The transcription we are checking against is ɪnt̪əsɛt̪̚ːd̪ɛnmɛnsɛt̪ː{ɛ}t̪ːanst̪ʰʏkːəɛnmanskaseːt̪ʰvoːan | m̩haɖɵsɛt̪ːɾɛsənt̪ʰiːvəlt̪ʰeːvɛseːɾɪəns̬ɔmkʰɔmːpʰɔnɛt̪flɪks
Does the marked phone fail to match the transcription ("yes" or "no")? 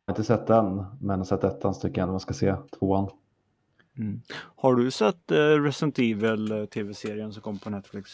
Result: no